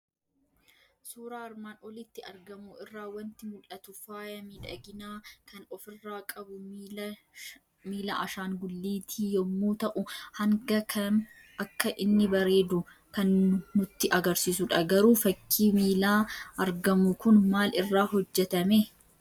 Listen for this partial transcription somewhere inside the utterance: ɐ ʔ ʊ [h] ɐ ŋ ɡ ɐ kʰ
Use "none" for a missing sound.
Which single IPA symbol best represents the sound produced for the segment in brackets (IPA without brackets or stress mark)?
h